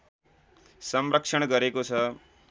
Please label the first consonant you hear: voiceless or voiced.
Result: voiceless